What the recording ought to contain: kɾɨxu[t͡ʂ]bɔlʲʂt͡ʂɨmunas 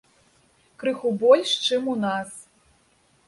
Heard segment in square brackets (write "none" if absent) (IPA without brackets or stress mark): none